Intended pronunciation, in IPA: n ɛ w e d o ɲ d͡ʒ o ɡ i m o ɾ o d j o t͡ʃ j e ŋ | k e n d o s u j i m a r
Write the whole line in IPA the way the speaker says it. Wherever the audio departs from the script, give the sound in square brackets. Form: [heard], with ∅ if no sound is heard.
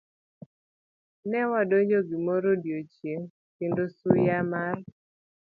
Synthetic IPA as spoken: n ɛ w [a] d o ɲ d͡ʒ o ɡ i m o ɾ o d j o t͡ʃ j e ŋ | k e n d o s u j [a] m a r